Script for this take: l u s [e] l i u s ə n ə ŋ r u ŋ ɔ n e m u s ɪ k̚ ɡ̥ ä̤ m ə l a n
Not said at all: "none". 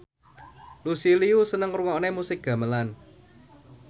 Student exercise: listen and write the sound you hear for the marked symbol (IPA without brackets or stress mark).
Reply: i